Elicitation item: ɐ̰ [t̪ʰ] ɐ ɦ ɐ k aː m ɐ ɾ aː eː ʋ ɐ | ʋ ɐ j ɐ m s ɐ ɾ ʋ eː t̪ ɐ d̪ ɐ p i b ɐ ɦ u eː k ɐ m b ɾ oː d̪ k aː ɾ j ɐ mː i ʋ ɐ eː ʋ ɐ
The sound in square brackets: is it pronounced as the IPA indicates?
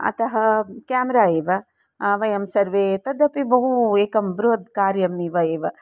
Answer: no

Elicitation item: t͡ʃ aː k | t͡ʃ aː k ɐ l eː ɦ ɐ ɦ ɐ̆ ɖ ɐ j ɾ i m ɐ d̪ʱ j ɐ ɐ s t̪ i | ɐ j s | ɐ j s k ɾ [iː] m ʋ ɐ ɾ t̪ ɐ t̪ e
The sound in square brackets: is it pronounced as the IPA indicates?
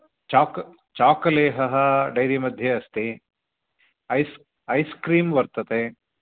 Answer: yes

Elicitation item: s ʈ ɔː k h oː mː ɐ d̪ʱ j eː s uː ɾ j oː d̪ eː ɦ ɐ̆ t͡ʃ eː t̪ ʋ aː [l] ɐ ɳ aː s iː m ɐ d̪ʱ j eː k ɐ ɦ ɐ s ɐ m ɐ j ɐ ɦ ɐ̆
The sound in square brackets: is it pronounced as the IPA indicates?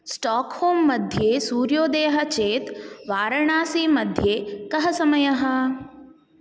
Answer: no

